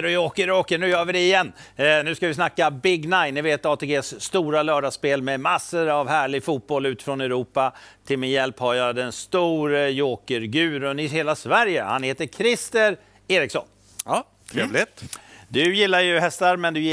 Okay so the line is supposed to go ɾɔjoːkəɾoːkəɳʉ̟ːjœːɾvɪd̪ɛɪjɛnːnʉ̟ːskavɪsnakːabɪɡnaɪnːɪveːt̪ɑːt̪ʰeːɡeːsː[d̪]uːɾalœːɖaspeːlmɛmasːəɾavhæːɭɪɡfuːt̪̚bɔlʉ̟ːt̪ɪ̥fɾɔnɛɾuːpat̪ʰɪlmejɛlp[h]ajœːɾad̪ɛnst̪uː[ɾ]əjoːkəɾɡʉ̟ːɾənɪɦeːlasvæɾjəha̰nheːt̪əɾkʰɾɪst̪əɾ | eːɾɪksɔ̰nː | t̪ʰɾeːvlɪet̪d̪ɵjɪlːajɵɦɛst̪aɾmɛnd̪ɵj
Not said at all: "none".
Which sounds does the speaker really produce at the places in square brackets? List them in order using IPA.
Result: t̪, h, ɾ

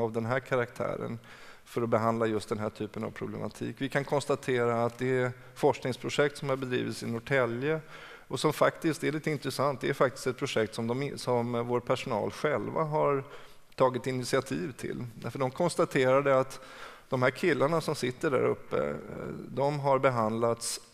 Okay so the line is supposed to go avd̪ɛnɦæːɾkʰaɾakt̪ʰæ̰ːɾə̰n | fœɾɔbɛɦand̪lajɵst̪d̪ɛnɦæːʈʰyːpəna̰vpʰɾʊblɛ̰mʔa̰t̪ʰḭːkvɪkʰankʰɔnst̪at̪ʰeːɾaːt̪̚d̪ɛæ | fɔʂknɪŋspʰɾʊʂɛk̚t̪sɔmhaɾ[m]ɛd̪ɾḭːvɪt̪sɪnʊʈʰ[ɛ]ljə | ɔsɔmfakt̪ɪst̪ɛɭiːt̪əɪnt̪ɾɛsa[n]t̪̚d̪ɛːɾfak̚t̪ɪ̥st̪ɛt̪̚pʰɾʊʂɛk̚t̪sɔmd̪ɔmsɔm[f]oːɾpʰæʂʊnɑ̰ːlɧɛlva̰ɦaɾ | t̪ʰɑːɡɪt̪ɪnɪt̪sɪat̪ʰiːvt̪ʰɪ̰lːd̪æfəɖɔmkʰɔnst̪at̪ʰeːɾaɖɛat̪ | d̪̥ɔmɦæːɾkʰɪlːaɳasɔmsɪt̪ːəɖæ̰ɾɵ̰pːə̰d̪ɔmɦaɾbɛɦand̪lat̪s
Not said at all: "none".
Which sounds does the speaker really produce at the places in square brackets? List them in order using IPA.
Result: b, ɛ, n, v

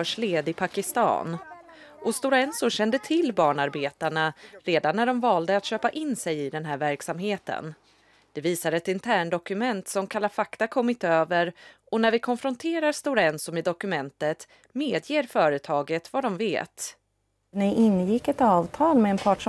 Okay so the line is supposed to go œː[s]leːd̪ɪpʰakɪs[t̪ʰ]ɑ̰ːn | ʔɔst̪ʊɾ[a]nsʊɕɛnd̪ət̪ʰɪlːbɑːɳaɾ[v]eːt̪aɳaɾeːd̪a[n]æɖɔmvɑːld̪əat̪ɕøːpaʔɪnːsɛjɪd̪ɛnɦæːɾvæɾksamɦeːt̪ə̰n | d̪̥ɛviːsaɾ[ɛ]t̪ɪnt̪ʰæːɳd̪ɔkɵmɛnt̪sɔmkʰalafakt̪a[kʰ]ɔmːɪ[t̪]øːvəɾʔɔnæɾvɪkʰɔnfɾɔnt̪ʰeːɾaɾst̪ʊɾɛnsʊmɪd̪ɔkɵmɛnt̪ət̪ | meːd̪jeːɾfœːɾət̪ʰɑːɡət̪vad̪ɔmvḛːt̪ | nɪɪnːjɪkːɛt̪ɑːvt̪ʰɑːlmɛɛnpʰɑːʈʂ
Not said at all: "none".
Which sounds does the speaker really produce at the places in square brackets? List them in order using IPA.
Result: ʂ, t̪, ɛ, b, nː, ɛ, kʰ, t̪

